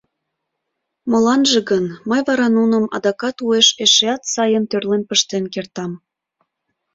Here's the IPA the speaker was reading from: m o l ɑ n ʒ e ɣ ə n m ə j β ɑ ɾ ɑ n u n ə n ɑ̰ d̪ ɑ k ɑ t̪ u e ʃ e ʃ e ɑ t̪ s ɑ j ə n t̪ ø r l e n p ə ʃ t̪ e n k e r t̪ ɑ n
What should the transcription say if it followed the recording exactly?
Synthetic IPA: m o l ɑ n ʒ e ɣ ə n m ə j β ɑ ɾ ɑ n u n ə m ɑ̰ d̪ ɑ k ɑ t̪ u e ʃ e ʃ e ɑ t̪ s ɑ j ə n t̪ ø r l e n p ə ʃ t̪ e n k e r t̪ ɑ m